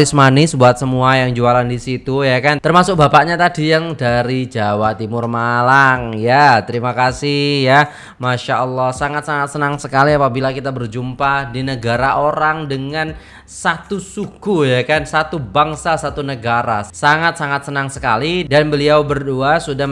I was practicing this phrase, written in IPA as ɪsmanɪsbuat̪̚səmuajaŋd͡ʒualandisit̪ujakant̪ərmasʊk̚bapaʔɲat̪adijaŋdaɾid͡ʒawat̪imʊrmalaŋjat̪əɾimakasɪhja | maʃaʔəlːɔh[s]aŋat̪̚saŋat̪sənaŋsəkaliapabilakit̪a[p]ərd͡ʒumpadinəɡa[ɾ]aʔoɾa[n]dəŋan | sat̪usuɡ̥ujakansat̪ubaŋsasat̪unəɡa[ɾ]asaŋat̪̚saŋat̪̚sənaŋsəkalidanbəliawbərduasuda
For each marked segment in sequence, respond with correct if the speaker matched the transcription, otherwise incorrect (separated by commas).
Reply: correct, incorrect, correct, incorrect, correct